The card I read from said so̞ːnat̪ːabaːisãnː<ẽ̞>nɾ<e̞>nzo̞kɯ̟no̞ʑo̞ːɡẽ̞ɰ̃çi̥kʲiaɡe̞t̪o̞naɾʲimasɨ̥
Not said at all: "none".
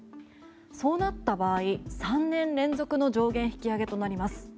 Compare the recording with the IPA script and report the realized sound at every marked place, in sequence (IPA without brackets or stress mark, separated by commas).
ẽ̞, ẽ̞